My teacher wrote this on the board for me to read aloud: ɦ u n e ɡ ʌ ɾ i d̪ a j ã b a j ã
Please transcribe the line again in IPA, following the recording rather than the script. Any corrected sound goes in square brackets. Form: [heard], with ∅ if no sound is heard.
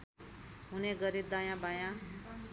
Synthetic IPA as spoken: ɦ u n e ɡ ʌ ɾ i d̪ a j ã b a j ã